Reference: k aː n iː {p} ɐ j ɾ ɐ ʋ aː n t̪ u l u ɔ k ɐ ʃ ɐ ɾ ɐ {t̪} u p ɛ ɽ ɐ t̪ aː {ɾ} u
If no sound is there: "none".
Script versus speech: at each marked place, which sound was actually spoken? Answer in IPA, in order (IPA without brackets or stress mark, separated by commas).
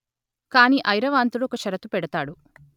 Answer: ʔ, t̪, ɽ